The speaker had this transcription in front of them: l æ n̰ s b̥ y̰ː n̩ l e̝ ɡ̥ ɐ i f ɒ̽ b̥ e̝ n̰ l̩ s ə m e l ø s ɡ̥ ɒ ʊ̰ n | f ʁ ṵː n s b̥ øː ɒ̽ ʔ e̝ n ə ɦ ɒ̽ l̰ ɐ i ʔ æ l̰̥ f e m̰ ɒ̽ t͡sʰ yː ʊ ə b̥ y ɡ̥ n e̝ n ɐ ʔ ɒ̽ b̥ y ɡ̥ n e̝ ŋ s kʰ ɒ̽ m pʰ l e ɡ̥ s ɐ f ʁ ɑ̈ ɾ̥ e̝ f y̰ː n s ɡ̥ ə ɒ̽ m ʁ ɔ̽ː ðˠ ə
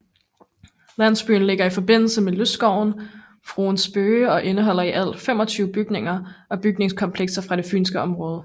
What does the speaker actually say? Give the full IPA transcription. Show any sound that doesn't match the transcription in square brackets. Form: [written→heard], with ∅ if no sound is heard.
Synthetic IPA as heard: l æ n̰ s b̥ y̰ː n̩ l e̝ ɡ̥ ɐ i f ɒ̽ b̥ e̝ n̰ l̩ s ə m e l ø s ɡ̥ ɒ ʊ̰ n | f ʁ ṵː n s b̥ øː ɒ̽ ʔ e̝ n ə ɦ ɒ̽ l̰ ɐ i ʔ æ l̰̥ f e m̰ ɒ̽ t͡sʰ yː ʊ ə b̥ y ɡ̥ n e̝ [n→ŋ] ɐ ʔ ɒ̽ b̥ y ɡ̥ n e̝ ŋ s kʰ ɒ̽ m pʰ l e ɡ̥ s ɐ f ʁ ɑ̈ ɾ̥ e̝ f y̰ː n s ɡ̥ ə ɒ̽ m ʁ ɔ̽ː ðˠ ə

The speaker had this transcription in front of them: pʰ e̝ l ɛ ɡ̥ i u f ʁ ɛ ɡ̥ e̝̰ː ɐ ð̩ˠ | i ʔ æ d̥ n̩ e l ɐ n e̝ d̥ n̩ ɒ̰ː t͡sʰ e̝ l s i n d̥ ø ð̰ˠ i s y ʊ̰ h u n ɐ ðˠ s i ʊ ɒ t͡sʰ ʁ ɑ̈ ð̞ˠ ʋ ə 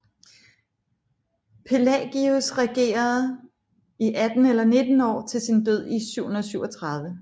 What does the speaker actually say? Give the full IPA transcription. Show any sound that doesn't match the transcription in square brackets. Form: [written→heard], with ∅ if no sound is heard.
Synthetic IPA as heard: pʰ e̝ l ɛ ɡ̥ i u [f→s] ʁ ɛ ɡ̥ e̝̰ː ɐ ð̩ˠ | i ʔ æ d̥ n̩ e l ɐ n e̝ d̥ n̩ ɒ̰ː t͡sʰ e̝ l s i n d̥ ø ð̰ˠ i s y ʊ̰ h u n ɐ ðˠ s [i→y] ʊ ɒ t͡sʰ ʁ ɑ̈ ð̞ˠ ʋ ə

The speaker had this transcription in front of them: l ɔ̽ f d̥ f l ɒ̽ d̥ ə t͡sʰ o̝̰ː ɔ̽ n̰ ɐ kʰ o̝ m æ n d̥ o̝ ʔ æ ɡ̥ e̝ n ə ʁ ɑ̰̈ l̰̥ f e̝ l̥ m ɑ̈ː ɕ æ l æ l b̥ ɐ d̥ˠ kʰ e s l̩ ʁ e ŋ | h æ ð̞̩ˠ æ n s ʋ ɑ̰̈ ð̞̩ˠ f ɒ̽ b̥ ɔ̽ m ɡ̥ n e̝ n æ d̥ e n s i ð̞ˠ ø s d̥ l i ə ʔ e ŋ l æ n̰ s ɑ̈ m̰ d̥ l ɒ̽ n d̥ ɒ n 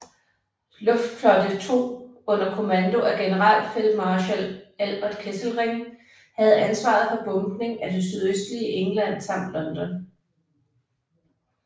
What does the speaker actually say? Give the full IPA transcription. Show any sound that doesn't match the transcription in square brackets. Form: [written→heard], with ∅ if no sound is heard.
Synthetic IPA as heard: l ɔ̽ f d̥ f l ɒ̽ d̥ ə t͡sʰ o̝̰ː ɔ̽ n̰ ɐ kʰ o̝ m æ n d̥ o̝ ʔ æ ɡ̥ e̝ n ə ʁ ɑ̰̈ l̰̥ f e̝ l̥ m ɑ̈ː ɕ æ l æ l b̥ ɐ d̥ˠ kʰ e s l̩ ʁ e ŋ | h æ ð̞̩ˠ æ n s ʋ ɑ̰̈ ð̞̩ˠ f ɒ̽ b̥ ɔ̽ m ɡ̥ n e̝ [n→ŋ] æ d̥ e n s [i→y] ð̞ˠ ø s d̥ l i ə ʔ e ŋ l æ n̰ s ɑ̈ m̰ d̥ l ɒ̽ n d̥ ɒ n

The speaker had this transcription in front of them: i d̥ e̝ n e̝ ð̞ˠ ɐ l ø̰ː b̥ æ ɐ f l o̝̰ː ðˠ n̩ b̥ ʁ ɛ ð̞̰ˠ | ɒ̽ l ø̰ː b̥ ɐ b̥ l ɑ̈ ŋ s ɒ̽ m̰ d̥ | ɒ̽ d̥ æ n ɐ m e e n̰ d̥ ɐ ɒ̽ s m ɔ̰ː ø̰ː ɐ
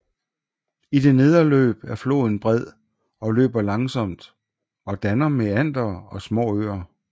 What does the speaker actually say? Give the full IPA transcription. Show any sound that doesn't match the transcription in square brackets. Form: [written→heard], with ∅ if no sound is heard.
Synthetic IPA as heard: i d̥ e̝ n e̝ ð̞ˠ ɐ l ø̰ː b̥ æ ɐ f l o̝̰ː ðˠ n̩ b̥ ʁ ɛ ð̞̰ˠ | ɒ̽ l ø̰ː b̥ ɐ [b̥→∅] l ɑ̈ ŋ s ɒ̽ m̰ d̥ | ɒ̽ d̥ æ n ɐ m e [e→æ] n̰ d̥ ɐ ɒ̽ s m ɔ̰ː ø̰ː ɐ

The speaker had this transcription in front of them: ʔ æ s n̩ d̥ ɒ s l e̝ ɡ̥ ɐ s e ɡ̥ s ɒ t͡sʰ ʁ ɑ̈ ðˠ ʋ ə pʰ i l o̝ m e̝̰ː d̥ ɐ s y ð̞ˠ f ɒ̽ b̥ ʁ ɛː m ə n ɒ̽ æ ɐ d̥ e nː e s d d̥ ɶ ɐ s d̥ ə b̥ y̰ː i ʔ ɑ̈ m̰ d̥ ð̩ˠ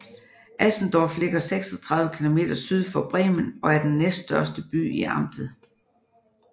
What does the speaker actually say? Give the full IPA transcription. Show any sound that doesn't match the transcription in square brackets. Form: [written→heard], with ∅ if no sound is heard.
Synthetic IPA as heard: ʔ æ s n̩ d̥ ɒ [s→f] l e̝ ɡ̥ ɐ s e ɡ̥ s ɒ t͡sʰ ʁ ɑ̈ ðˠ ʋ ə [pʰ→kʰ] i l o̝ m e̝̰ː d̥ ɐ s y ð̞ˠ f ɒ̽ b̥ ʁ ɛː m ə n ɒ̽ æ ɐ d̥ e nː e s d d̥ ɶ ɐ s d̥ ə b̥ y̰ː i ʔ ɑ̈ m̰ d̥ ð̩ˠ

